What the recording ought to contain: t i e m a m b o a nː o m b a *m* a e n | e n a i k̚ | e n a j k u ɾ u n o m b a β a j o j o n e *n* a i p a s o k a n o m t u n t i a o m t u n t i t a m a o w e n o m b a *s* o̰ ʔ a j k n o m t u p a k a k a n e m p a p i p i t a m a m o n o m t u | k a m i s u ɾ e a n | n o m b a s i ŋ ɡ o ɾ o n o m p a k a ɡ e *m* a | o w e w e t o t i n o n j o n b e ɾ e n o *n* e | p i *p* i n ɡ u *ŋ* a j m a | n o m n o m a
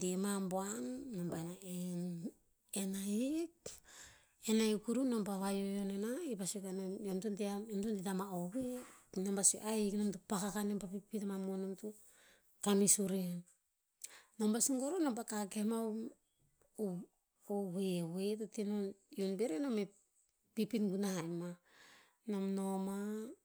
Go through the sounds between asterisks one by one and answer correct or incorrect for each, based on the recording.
incorrect, correct, correct, correct, incorrect, correct, incorrect

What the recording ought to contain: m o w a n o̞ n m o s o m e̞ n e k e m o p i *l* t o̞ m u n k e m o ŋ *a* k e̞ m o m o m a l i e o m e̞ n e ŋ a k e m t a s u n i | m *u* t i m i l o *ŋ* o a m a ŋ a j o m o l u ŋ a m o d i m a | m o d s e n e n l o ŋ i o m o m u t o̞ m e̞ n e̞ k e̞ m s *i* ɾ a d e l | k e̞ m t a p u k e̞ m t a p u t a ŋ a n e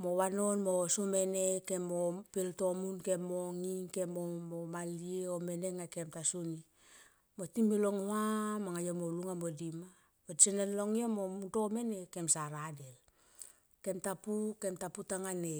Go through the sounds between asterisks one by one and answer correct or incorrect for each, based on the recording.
correct, incorrect, incorrect, correct, incorrect

